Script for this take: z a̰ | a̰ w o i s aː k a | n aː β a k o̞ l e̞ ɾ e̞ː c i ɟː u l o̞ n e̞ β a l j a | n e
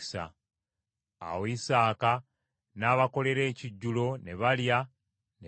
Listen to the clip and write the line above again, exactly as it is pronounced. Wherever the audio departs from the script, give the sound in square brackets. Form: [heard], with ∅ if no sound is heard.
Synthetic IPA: [s] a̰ | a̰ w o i s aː k a | n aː β a k o̞ l e̞ ɾ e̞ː c i ɟː u l o̞ n e̞ β a l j a | n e